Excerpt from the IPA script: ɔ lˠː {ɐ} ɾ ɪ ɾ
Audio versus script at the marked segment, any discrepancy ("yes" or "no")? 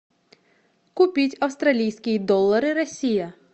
no